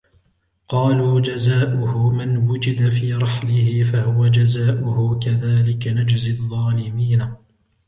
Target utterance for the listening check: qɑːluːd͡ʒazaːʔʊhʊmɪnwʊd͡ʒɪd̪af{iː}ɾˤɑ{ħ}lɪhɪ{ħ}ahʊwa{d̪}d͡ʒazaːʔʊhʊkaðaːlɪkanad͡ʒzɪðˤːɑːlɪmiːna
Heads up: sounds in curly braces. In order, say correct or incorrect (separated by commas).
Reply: correct, correct, incorrect, incorrect